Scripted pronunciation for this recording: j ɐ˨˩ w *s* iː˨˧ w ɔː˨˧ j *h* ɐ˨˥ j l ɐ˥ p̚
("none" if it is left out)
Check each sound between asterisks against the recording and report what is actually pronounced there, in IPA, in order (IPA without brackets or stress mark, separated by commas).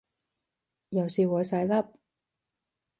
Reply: s, s